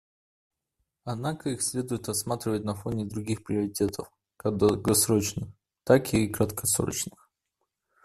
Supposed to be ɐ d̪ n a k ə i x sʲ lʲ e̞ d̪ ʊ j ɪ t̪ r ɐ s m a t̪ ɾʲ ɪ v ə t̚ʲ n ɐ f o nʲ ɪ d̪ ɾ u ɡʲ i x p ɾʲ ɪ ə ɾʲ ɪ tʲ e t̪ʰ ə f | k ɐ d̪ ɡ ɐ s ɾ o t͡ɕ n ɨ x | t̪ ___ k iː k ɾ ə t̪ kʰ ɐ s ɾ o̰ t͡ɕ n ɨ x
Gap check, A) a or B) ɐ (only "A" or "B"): A